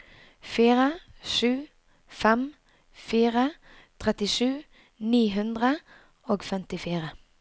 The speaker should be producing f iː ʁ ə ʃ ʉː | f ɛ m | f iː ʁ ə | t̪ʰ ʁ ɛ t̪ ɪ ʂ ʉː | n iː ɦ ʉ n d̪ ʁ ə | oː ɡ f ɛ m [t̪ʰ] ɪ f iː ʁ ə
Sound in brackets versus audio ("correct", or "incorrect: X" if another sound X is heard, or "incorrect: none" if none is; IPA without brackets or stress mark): incorrect: t̪